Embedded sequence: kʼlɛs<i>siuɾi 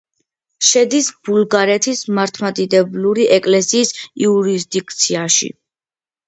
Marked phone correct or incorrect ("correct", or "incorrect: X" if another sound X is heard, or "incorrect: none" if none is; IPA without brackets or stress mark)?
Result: incorrect: iː